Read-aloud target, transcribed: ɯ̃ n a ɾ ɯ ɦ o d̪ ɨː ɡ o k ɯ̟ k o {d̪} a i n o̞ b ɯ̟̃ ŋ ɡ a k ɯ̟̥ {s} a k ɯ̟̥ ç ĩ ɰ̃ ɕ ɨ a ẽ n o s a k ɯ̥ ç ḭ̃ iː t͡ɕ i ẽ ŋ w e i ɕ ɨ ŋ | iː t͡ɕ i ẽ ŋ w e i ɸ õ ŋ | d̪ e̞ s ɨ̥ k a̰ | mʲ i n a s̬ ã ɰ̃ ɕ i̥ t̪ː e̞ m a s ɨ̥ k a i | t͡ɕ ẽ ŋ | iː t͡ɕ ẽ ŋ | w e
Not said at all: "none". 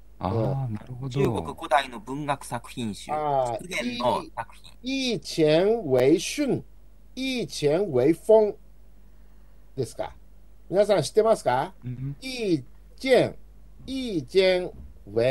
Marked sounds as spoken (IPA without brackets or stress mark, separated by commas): d̪, s